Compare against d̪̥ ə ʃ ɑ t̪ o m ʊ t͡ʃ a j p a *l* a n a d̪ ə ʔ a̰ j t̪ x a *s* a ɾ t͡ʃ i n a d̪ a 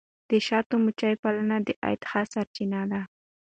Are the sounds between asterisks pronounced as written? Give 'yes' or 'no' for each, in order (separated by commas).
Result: yes, yes